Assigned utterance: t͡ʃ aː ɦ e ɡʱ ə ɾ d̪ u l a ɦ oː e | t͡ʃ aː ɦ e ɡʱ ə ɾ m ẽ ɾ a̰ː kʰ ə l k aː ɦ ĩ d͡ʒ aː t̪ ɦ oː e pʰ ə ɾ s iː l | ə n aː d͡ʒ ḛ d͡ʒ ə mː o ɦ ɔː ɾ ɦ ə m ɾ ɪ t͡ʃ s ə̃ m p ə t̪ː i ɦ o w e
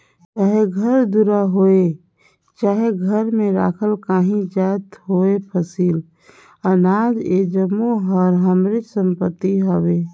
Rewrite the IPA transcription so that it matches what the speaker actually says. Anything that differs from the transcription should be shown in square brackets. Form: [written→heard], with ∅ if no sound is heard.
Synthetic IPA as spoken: t͡ʃ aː ɦ e ɡʱ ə ɾ d̪ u [l→ɾ] a ɦ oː e | t͡ʃ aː ɦ e ɡʱ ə ɾ m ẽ ɾ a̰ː kʰ ə l k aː ɦ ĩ d͡ʒ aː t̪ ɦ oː e pʰ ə [ɾ→∅] s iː l | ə n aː d͡ʒ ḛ d͡ʒ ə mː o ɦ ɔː ɾ ɦ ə m ɾ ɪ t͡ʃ s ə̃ m p ə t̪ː i ɦ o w e